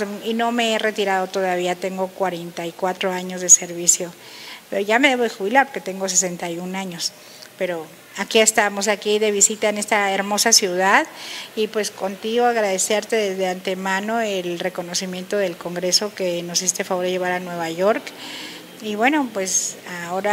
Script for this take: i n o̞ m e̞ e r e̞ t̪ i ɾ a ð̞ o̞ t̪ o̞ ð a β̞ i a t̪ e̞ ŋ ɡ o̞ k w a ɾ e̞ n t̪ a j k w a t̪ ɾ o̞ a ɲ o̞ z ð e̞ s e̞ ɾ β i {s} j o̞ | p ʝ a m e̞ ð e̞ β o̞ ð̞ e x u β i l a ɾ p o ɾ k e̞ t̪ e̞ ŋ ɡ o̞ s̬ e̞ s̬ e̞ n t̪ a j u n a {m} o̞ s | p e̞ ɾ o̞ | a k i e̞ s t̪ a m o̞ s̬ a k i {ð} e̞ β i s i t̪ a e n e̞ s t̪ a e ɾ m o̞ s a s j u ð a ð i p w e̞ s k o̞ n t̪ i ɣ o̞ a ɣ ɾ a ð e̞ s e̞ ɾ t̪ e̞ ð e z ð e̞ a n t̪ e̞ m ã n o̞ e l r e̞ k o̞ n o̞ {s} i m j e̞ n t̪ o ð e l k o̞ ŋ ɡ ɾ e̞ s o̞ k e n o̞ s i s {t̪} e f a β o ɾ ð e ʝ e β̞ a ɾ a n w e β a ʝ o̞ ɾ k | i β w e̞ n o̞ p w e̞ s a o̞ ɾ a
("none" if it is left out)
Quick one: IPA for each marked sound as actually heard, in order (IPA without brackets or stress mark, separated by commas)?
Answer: s, ɲ, ð, s, t̪